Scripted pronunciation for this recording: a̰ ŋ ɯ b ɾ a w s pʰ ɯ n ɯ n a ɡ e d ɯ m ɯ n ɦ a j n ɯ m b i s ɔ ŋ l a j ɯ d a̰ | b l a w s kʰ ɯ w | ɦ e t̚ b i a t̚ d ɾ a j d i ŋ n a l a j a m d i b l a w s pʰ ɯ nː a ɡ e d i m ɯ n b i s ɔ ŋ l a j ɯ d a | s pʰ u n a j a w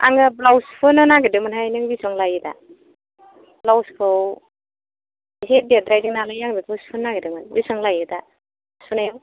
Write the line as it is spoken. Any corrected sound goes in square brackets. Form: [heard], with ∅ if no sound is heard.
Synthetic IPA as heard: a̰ ŋ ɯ b [l] a w s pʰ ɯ n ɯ n a ɡ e d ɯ m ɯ n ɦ a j n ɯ [ŋ] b i s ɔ ŋ l a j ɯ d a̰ | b l a w s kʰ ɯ w | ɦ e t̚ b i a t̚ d ɾ a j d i ŋ n a l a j a [ŋ] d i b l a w s pʰ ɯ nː a ɡ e d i m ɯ n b i s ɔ ŋ l a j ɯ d a | s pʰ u n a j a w